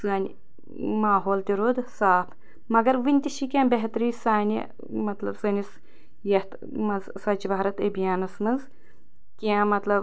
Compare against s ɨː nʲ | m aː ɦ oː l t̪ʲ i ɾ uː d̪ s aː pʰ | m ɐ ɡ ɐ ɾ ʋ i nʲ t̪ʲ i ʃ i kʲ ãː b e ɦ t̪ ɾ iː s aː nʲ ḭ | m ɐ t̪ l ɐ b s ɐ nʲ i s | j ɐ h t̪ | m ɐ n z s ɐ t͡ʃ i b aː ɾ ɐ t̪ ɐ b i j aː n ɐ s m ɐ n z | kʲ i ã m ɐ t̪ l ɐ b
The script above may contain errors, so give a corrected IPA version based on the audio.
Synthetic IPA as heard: s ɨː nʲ | m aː ɦ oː l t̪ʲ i ɾ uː d̪ s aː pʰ | m ɐ ɡ ɐ ɾ ʋ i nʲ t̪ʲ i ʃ i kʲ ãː b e ɦ t̪ ɾ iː s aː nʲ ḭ | m ɐ t̪ l ɐ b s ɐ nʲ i s | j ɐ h t̪ | m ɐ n z s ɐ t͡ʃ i b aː ɾ ɐ t̪ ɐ b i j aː n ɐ s m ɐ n z | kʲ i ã m ɐ t̪ l ɐ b